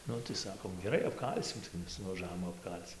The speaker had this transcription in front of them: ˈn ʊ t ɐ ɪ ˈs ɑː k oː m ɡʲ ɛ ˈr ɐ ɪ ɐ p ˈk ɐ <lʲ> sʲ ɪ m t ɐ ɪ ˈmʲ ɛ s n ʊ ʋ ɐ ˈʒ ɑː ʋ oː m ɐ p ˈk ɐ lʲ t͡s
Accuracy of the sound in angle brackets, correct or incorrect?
correct